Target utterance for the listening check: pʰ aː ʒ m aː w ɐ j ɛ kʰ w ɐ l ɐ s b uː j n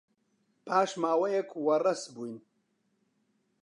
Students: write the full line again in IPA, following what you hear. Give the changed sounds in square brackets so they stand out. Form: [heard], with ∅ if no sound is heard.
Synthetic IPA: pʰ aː [ʃ] m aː w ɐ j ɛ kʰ w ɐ [r] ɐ s b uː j n